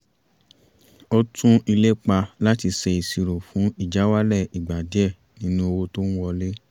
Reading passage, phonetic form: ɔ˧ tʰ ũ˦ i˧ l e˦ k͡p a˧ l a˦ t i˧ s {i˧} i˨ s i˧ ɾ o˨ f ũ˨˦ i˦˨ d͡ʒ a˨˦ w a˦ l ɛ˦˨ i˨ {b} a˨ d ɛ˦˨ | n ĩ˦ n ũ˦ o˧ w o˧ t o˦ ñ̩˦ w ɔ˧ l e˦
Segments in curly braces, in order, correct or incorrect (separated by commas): incorrect, incorrect